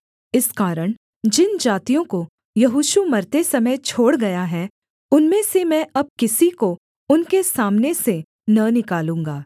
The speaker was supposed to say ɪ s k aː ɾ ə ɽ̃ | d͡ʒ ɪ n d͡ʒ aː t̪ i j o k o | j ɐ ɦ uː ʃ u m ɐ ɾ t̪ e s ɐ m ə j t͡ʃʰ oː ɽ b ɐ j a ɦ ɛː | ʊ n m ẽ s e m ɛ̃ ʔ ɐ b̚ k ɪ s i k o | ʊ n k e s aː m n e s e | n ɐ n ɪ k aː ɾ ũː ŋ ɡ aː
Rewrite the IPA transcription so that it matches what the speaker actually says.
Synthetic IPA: ɪ s k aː ɾ ə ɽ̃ | d͡ʒ ɪ n d͡ʒ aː t̪ i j õ k o | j ɐ ɦ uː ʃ u m ɐ ɾ t̪ e s ɐ m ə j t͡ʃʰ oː ɽ ɡ ɐ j a ɦ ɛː | ʊ n m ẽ s e m ɛ̃ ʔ ɐ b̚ k ɪ s i k o | ʊ n k e s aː m n e s e | n ɐ n ɪ k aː l ũː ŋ ɡ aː